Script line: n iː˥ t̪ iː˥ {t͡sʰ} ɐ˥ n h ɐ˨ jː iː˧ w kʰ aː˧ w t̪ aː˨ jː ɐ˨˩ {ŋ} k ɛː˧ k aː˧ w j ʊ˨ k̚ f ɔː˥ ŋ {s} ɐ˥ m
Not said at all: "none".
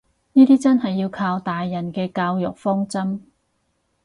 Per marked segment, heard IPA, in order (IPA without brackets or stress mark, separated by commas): t͡s, n, t͡s